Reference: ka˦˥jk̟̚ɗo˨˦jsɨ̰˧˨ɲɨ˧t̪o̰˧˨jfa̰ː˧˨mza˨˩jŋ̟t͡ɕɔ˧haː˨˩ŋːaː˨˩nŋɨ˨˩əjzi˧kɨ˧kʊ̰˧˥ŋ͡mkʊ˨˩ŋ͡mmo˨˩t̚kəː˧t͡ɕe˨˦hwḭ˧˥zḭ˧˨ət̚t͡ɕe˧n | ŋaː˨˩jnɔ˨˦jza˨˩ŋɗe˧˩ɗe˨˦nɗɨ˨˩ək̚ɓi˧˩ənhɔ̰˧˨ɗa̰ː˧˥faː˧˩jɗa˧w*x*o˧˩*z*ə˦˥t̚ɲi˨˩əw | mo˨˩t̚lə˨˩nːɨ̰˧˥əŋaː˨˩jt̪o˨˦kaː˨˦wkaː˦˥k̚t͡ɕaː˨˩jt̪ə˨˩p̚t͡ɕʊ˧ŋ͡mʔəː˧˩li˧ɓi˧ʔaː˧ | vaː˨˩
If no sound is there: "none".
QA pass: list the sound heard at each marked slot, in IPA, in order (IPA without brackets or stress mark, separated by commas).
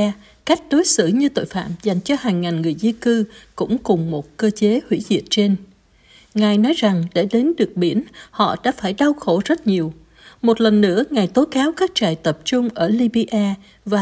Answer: x, z